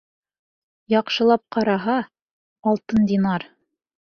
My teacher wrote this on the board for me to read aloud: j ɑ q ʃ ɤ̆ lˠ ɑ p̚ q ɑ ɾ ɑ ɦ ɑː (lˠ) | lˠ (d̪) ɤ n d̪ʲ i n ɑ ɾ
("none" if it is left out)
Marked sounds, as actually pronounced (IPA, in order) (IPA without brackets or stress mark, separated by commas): none, t̪